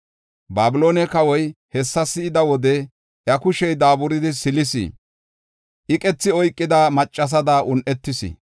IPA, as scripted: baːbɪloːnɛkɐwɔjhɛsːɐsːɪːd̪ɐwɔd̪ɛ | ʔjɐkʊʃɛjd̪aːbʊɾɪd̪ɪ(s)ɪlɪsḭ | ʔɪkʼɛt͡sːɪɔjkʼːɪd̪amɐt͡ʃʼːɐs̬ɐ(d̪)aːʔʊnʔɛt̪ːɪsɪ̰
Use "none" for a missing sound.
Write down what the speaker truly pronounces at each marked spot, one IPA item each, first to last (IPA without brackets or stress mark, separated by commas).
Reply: s, d̪